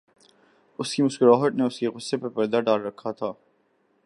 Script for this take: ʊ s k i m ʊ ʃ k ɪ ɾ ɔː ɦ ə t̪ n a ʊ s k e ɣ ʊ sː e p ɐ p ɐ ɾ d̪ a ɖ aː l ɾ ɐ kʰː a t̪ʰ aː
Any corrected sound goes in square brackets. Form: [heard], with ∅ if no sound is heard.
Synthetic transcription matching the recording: ʊ s k i m ʊ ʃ k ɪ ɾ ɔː ɦ ə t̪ n [e] ʊ s k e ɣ ʊ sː e p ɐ p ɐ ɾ d̪ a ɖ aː l ɾ ɐ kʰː a t̪ʰ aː